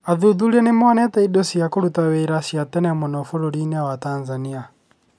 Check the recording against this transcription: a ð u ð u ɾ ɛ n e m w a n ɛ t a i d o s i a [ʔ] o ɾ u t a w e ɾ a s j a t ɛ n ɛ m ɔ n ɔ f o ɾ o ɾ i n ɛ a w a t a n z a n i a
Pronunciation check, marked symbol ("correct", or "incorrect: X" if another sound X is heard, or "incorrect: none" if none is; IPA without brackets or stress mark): incorrect: k